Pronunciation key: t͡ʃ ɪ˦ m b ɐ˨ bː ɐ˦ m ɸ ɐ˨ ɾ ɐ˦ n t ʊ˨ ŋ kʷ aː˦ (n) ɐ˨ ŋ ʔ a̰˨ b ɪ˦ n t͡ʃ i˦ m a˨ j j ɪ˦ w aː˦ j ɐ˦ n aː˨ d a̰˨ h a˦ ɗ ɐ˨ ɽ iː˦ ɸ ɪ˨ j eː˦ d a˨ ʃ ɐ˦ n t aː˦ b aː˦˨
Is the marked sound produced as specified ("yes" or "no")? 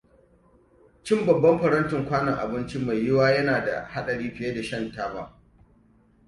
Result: yes